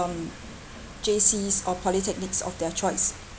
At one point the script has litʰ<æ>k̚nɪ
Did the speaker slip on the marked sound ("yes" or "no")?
yes